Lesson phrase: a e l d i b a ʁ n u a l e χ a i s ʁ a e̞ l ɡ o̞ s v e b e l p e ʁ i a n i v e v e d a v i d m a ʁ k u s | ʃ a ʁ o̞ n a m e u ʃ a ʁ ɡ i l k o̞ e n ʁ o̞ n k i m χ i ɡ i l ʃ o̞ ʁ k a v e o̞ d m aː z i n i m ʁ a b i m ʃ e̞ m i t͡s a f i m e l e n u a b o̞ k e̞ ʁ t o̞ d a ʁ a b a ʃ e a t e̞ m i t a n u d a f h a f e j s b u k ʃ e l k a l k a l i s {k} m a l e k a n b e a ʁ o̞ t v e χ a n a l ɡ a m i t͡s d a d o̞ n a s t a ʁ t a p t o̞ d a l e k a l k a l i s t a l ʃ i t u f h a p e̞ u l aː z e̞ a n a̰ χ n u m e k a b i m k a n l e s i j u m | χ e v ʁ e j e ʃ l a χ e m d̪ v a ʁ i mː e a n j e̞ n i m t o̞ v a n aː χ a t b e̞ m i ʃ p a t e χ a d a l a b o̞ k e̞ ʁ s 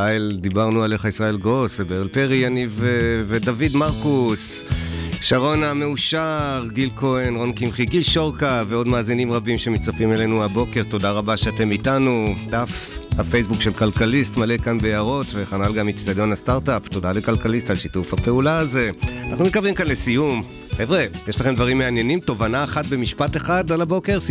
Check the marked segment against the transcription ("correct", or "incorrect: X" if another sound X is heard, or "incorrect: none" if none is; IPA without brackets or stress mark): incorrect: t